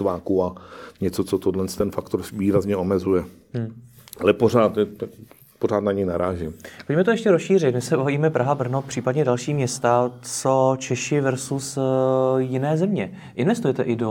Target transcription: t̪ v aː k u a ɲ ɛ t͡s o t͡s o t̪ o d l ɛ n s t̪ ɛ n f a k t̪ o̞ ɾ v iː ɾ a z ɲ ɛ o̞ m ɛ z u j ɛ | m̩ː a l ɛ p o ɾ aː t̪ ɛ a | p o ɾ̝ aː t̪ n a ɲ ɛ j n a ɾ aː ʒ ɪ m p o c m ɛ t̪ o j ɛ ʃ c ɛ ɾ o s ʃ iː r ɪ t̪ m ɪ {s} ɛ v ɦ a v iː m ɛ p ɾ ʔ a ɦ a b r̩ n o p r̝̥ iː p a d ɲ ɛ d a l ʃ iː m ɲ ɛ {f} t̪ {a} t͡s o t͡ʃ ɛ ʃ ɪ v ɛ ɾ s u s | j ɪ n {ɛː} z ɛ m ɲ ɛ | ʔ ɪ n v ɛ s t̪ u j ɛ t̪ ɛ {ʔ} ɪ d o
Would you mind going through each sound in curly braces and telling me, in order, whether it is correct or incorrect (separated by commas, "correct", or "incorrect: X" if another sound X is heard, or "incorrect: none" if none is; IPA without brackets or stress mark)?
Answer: correct, incorrect: s, correct, correct, correct